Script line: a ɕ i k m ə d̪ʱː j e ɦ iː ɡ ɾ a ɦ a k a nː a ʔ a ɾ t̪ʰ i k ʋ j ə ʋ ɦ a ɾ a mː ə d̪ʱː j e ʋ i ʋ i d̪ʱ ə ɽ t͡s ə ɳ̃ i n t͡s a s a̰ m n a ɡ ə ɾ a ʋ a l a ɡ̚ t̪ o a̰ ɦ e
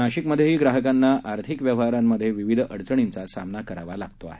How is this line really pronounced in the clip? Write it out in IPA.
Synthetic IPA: a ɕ i k m ə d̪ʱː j e ɦ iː ɡ ɾ a ɦ ə k a nː a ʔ a ɾ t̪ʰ i k ʋ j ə ʋ ɦ a ɾ a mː ə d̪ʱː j e ʋ i ʋ i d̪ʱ ə ɽ t͡s ə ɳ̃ i n t͡s a s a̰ m n a k ə ɾ a ʋ a l a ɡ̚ t̪ o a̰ ɦ e